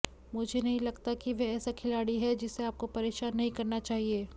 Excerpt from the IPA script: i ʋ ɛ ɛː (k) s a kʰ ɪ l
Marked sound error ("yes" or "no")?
yes